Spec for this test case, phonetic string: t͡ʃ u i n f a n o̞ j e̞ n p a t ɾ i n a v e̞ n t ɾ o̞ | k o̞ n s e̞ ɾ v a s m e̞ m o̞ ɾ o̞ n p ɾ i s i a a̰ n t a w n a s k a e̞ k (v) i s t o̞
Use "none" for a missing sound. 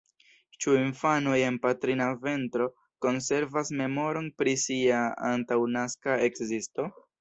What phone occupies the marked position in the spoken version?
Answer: z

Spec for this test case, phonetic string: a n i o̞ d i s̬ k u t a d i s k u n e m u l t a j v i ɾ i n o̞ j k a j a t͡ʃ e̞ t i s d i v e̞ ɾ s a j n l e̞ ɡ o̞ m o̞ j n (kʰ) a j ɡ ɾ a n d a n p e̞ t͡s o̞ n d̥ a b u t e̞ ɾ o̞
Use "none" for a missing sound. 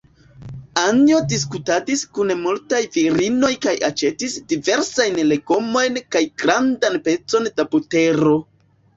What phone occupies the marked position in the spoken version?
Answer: k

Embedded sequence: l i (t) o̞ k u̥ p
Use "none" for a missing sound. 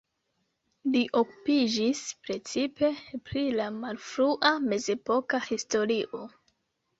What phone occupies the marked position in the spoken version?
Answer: ʔ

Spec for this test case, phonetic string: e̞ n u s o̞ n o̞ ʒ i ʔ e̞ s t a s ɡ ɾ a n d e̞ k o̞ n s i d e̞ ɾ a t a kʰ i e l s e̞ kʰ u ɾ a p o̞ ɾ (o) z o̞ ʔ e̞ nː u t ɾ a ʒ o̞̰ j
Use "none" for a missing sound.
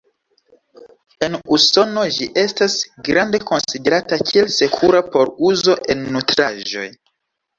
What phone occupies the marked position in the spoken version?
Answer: u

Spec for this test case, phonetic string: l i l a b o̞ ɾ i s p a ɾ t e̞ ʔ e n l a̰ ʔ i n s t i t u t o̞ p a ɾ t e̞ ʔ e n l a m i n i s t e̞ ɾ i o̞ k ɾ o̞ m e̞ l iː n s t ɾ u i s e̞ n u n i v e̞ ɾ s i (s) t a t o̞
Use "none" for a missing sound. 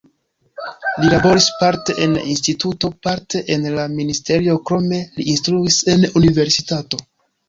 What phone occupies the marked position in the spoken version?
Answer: none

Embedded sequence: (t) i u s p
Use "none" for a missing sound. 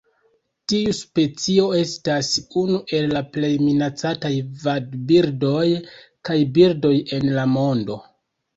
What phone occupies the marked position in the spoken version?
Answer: t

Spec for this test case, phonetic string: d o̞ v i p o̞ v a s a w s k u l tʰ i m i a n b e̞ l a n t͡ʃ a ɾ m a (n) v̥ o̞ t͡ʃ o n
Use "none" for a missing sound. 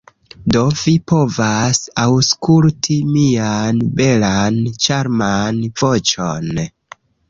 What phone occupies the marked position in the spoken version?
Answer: n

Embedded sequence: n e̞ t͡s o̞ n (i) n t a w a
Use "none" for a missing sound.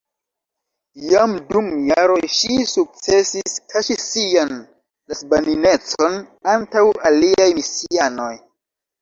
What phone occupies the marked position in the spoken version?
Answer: a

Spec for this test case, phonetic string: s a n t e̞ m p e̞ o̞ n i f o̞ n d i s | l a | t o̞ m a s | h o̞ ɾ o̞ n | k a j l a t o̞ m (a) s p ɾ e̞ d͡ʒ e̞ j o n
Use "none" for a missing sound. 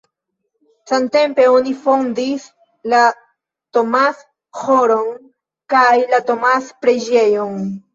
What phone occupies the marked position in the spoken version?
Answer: a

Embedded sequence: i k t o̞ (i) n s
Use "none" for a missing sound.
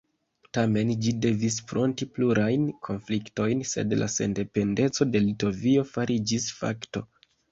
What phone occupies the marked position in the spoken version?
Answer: j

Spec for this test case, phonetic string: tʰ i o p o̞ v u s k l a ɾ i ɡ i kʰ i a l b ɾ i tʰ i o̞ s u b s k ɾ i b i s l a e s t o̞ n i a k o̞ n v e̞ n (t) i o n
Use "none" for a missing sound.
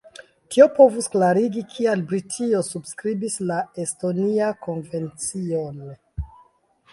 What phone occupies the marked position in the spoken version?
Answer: t͡s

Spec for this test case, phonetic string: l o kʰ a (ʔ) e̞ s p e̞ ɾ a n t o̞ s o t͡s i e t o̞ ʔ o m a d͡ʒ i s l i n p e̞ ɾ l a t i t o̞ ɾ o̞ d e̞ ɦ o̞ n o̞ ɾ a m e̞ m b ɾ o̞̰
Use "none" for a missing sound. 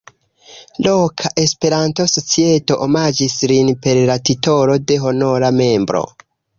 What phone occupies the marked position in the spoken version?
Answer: ʔ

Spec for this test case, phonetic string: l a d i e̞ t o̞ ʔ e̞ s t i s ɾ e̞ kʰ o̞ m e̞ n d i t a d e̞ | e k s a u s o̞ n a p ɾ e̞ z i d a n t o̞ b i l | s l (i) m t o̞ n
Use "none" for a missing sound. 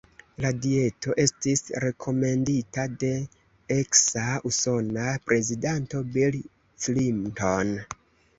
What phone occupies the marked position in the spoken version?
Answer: i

